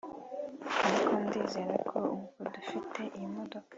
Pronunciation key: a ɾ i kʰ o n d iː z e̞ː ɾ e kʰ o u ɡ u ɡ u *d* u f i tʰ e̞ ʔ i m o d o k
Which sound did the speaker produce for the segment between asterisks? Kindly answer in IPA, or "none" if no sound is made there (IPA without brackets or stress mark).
d